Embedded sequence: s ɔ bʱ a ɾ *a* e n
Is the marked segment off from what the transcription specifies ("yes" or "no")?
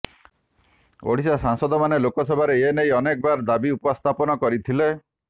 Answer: yes